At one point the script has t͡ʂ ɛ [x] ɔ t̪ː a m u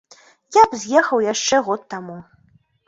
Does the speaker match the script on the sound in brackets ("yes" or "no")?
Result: no